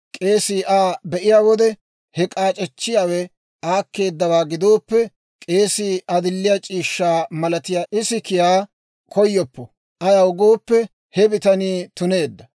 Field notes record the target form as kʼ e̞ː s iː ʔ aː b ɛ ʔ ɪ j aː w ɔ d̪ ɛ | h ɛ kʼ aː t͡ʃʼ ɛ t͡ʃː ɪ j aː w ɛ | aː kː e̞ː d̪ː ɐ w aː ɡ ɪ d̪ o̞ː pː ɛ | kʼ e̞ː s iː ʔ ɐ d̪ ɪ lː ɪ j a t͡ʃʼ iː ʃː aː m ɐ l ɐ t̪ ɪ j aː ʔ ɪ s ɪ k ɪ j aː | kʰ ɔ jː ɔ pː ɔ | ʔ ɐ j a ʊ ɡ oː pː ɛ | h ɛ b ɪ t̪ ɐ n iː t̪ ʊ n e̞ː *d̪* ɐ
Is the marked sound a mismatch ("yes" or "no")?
yes